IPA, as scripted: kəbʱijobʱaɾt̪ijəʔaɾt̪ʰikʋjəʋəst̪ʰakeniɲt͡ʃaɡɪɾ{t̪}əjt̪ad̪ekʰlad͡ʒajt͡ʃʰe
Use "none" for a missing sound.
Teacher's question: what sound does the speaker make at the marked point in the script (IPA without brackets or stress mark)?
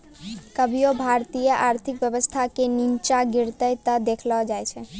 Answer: t̪